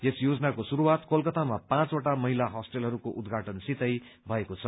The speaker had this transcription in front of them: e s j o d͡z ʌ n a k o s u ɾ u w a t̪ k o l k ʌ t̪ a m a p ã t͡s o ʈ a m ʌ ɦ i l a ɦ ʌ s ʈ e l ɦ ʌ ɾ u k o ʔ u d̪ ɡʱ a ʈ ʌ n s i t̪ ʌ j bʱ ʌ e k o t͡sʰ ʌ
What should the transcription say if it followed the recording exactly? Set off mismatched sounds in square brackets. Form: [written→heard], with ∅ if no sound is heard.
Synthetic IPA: e s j o d͡z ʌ n a k o s u ɾ u w a t̪ k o l k ʌ t̪ a m a p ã t͡s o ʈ a m ʌ ɦ i l a ɦ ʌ s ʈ e l ɦ ʌ ɾ u k o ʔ u d̪ ɡʱ a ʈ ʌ n s i t̪ ʌ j bʱ ʌ e k o t͡sʰ ʌ